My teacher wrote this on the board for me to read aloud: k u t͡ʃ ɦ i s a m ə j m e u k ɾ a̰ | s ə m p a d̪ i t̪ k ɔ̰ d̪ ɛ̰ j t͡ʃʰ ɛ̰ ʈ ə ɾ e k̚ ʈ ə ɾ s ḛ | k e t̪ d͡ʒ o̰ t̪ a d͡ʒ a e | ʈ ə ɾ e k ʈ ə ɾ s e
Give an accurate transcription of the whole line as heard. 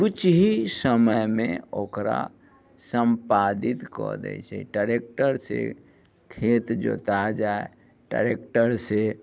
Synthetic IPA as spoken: k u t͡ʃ ɦ i s ə m ə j m e o k ɾ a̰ | s ə m p a d̪ i t̪ k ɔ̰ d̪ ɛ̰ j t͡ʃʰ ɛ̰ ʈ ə ɾ e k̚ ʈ ə ɾ s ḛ | kʰ e t̪ d͡ʒ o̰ t̪ a d͡ʒ a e | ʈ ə ɾ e k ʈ ə ɾ s e